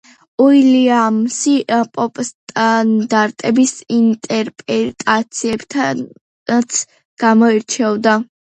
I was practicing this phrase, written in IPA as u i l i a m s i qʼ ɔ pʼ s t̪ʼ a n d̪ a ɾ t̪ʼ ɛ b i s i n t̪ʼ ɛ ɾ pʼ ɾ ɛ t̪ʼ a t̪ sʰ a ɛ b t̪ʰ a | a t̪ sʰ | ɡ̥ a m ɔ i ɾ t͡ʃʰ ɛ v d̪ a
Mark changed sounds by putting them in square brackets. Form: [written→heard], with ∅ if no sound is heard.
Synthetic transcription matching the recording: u i l i a m s i [qʼ→pʼ] ɔ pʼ s t̪ʼ a n d̪ a ɾ t̪ʼ ɛ b i s i n t̪ʼ ɛ ɾ pʼ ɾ ɛ t̪ʼ a t̪ sʰ [a→i] ɛ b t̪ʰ a | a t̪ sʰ | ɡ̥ a m ɔ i ɾ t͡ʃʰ ɛ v d̪ a